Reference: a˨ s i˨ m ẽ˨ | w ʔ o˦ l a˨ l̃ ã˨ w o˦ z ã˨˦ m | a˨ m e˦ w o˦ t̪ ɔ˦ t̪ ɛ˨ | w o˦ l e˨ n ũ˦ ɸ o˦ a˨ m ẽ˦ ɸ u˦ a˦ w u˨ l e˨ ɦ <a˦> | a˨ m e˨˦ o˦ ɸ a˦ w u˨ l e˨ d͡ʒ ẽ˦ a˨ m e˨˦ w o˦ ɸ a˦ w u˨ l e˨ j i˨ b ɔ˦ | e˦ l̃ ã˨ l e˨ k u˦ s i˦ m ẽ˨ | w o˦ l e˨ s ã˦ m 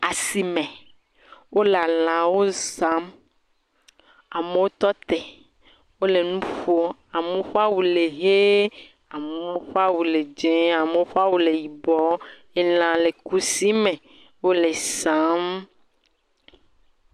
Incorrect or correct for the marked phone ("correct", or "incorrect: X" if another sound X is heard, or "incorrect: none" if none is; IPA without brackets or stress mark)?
incorrect: e˦